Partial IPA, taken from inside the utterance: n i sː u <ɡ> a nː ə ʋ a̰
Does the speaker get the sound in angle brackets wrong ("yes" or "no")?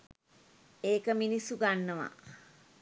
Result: no